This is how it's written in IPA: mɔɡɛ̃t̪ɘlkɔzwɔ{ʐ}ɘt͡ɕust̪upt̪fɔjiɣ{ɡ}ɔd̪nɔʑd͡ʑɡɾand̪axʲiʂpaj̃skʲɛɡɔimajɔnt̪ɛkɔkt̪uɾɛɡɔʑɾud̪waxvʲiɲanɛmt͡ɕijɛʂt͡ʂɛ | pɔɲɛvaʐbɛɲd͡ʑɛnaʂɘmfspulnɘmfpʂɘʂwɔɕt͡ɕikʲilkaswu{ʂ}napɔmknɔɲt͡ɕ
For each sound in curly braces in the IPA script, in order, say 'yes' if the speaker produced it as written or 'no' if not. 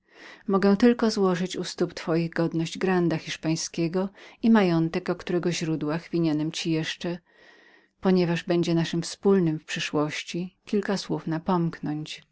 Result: yes, yes, no

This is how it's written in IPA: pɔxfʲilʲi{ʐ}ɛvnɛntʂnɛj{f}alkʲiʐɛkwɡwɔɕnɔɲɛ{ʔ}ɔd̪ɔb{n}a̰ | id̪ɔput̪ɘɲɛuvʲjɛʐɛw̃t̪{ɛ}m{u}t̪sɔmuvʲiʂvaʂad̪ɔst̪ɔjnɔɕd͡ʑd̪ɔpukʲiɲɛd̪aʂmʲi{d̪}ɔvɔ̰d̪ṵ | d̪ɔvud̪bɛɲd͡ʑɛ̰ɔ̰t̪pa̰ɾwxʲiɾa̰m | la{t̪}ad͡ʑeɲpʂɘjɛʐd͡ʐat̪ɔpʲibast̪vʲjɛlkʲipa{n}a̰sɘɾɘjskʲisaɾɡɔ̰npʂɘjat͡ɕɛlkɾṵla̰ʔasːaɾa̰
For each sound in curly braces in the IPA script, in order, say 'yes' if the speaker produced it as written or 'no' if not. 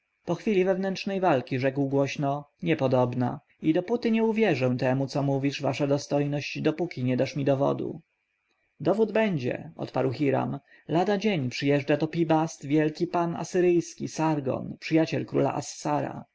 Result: no, no, no, yes, yes, yes, yes, no, yes

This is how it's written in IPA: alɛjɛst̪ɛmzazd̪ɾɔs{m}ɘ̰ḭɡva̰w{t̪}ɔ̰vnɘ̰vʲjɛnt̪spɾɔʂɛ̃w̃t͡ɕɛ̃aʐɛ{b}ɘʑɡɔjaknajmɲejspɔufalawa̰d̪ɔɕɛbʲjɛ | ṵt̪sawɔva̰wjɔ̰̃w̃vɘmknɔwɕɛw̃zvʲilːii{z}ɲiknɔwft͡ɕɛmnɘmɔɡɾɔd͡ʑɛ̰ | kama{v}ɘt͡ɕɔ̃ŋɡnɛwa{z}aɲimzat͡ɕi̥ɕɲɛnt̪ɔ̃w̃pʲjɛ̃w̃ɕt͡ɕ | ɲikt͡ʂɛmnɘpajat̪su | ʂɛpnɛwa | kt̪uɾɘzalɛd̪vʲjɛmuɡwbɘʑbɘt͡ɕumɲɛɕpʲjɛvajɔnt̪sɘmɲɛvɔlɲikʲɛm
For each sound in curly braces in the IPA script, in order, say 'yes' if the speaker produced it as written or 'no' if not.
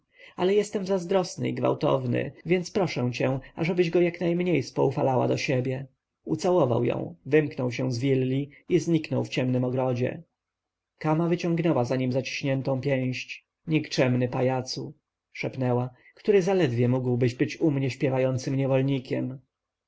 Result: no, yes, yes, yes, yes, yes

